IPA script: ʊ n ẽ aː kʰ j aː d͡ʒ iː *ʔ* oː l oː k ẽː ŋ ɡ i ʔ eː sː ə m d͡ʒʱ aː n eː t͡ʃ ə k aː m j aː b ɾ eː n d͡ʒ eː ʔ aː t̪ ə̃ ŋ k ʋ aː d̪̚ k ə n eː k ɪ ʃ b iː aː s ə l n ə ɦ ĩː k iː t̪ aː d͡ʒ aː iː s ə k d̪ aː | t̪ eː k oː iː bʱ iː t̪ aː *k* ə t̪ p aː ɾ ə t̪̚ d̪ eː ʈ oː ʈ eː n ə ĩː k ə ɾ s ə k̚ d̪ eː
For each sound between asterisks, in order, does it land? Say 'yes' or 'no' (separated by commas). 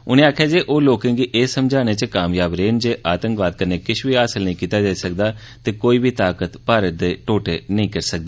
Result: yes, yes